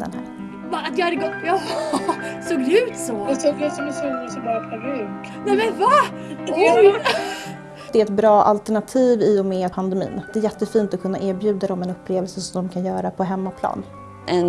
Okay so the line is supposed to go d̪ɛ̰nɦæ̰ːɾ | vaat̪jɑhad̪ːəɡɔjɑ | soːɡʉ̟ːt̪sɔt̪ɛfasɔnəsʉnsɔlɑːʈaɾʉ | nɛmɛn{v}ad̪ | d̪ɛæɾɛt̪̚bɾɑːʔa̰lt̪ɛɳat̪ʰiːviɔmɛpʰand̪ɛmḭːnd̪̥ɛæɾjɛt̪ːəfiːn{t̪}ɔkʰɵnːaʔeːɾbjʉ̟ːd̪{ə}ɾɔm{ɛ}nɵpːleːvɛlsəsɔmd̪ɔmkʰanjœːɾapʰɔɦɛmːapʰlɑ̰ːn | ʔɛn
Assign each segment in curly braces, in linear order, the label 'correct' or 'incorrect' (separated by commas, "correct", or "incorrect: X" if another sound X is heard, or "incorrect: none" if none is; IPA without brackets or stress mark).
correct, correct, incorrect: a, correct